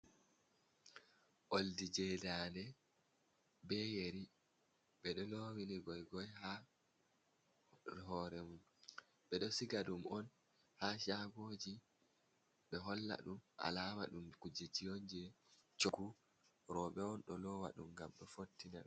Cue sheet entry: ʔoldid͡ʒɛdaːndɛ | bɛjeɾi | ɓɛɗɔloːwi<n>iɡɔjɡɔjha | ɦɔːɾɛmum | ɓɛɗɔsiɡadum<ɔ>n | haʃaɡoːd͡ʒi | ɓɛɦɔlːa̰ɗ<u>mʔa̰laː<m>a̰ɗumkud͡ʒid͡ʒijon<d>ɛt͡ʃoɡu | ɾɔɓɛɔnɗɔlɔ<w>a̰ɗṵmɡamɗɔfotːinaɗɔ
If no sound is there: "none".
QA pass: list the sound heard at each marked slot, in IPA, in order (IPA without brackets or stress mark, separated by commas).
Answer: n, ɔ, u, m, d͡ʒ, w